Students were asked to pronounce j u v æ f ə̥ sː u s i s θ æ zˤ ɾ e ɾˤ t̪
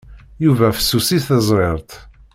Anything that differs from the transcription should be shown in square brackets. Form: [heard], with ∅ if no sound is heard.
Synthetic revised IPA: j u v æ f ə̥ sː u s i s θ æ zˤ ɾ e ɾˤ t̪